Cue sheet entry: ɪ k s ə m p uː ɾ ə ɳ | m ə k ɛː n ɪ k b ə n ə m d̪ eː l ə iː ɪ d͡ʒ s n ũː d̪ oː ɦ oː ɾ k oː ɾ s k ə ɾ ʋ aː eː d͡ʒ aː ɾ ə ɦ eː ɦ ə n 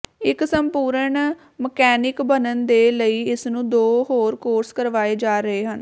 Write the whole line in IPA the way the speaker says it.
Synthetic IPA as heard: ɪ k s ə m p uː ɾ ə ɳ | m ə k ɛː n ɪ k b ə n ə n d̪ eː l ə iː ɪ s n ũː d̪ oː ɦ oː ɾ k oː ɾ s k ə ɾ ʋ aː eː d͡ʒ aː ɾ ə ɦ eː ɦ ə n